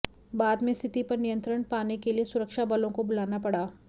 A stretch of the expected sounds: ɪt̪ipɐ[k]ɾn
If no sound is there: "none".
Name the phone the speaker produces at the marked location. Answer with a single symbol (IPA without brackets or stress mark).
none